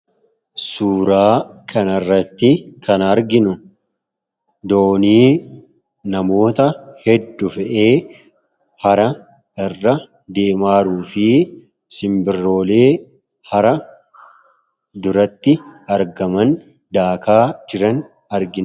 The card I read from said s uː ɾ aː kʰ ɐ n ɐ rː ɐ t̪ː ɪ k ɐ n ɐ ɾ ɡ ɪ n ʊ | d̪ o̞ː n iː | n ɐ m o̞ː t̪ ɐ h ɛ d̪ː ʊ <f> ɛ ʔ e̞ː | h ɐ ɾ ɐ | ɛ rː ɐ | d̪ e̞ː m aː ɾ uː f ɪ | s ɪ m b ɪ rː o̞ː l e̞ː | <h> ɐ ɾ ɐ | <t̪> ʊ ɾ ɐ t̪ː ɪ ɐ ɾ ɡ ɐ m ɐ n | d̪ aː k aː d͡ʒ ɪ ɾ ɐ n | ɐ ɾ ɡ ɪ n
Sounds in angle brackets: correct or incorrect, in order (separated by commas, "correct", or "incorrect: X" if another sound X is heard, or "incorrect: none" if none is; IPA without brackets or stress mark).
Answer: correct, correct, incorrect: d̪